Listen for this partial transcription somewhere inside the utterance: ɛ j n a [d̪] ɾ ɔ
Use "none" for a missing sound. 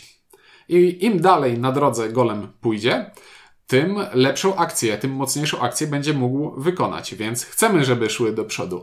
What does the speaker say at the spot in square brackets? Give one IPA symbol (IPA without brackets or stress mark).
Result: d̪